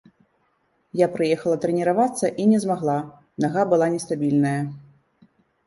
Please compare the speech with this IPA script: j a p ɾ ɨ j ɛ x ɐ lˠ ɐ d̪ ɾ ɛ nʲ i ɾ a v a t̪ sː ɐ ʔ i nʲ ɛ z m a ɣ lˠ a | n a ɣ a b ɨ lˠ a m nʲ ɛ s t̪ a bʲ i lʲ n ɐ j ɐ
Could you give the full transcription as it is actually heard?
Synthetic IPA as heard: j a p ɾ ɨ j ɛ x ɐ lˠ ɐ t̪ ɾ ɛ nʲ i ɾ a v a t̪ sː ɐ ʔ i nʲ ɛ z m a ɣ lˠ a | n a ɣ a b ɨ lˠ a nʲ ɛ s t̪ a bʲ i lʲ n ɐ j ɐ

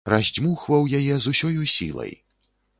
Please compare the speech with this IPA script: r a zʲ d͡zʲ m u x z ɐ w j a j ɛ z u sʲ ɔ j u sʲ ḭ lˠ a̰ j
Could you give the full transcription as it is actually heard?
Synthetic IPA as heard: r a zʲ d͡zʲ m u x v ɐ w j a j ɛ z u sʲ ɔ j u sʲ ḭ lˠ ɐ̰ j

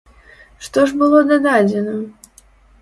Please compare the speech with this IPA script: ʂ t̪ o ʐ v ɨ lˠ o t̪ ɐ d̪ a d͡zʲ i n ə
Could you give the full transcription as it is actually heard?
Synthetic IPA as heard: ʂ t̪ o ʐ b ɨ lˠ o d̪ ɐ d̪ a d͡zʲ ɪ n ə

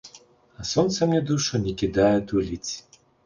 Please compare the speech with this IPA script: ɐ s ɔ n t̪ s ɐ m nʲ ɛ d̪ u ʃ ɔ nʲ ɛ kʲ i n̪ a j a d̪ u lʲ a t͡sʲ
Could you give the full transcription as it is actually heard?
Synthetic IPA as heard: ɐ s ɔ n t̪ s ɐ m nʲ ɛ d̪ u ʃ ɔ nʲ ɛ kʲ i d̪ a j ɛ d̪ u lʲ i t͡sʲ

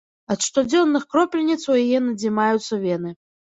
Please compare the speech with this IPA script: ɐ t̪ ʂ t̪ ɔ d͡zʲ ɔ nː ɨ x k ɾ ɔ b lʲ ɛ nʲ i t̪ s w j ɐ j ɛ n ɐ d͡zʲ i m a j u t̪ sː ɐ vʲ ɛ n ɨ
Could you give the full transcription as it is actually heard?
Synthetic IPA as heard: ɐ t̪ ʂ t̪ ɔ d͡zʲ ɔ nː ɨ x k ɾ ɔ p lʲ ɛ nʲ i t̪ s w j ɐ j ɛ n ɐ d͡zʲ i m a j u t̪ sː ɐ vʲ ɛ n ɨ

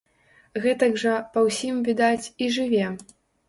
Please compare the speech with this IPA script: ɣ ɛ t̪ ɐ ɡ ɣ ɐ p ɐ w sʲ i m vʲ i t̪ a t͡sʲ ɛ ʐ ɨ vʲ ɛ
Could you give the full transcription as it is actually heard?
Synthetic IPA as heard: ɣ ɛ t̪ ɐ ɡ ʐ ɐ p ɐ w sʲ i m vʲ i d̪ a t͡sʲ i ʐ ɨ vʲ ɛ

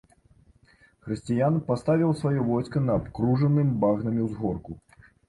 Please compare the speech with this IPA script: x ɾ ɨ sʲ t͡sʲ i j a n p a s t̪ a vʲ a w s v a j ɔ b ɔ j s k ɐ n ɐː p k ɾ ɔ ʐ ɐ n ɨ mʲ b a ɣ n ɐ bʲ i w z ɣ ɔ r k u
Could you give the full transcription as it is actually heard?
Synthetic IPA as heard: x ɾ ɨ sʲ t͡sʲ i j a n p a s t̪ a vʲ i w s v a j ɔ v ɔ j s k ɐ n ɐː p k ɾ u ʐ ɐ n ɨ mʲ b a ɣ n ɐ mʲ i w z ɣ ɔ r k u

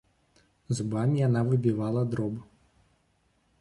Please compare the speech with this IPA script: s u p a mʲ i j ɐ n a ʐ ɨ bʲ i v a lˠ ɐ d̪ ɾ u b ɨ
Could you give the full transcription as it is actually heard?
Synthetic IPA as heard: z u b a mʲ i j a n a v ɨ bʲ i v a lˠ ɐ d̪ ɾ ɔ b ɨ

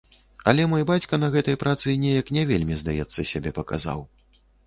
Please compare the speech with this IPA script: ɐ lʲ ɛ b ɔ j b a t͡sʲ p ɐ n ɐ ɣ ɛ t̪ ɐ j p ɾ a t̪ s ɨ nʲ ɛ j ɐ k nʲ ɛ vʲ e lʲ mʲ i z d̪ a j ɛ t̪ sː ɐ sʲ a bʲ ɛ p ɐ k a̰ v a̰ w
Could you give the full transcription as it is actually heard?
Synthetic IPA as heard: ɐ lʲ ɛ m ɔ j b a t͡sʲ k ɐ n ɐ ɣ ɛ t̪ ɐ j p ɾ a t̪ s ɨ nʲ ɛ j ɐ k nʲ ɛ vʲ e lʲ mʲ i z d̪ a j ɛ t̪ sː ɐ sʲ a bʲ ɛ p ɐ k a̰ z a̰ w

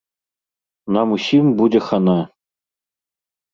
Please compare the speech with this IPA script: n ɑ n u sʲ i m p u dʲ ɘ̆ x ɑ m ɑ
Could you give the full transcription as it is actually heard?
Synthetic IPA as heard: n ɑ m u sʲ i m b u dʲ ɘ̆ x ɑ n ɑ

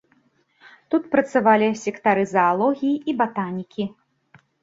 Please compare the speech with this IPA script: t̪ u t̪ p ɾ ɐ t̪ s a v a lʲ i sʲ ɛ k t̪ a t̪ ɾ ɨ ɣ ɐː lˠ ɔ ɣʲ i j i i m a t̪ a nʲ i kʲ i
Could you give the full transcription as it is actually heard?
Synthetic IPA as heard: t̪ u t̪ p ɾ ɐ t̪ s a v a lʲ i sʲ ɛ k t̪ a ɾ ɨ z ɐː lˠ ɔ ɣʲ i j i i b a t̪ a nʲ i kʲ i

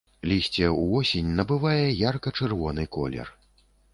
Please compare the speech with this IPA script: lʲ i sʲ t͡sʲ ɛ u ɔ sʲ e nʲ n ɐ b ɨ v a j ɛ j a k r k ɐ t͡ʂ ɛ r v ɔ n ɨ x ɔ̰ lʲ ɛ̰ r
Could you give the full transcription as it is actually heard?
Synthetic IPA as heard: lʲ i sʲ t͡sʲ ɛ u ɔ sʲ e nʲ n ɐ b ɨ v a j ɛ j a r k ɐ t͡ʂ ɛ r v ɔ n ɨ k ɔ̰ lʲ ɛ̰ r

